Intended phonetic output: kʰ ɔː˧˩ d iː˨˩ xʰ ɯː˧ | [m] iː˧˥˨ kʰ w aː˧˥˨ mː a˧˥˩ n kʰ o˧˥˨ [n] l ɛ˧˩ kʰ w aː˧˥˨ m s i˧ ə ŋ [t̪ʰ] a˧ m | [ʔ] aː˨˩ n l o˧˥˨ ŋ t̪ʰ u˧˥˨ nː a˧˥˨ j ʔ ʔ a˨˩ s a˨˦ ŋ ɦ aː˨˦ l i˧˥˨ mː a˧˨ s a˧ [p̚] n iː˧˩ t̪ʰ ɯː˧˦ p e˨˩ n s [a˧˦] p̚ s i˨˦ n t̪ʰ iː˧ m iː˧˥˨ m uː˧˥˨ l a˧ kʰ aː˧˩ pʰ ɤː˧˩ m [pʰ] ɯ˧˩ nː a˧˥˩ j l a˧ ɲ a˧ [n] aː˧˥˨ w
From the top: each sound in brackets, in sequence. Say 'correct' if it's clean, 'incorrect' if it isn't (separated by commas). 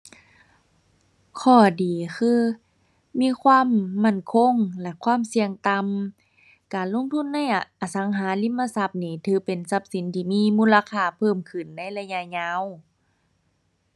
correct, incorrect, incorrect, incorrect, correct, correct, incorrect, incorrect